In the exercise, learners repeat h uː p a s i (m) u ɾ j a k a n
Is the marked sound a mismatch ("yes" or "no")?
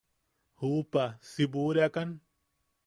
yes